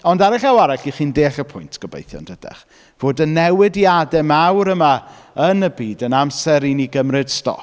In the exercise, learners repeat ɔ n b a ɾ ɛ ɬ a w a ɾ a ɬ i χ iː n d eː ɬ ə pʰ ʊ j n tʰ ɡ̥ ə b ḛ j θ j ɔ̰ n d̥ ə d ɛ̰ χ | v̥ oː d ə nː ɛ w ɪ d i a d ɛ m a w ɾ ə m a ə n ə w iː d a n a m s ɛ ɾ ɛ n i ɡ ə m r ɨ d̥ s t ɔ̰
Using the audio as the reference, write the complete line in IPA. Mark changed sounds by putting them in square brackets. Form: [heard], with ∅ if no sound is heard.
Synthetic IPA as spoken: ɔ n [d] a ɾ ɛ ɬ a w a ɾ a ɬ i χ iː n d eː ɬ ə pʰ ʊ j n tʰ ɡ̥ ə b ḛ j θ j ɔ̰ n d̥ ə d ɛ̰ χ | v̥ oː d ə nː ɛ w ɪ d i a d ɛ m a w ɾ ə m a ə n ə [b] iː d [ə] n a m s ɛ ɾ [i] n i ɡ ə m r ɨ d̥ s t ɔ̰